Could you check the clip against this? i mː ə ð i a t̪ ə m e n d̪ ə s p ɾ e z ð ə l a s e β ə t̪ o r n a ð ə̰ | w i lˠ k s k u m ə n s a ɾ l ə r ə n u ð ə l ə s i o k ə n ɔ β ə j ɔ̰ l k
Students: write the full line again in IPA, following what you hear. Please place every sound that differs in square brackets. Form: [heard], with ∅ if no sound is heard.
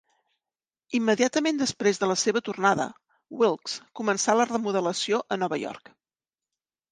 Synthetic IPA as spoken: i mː ə ð i a t̪ ə m e n d̪ ə s p ɾ e z ð ə l [ə] s e β ə t̪ [u] r n a ð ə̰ | w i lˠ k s k u m ə n s a [∅] l ə r ə [m] u ð ə l ə s i o [ʔ] ə n ɔ β ə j ɔ̰ [r] k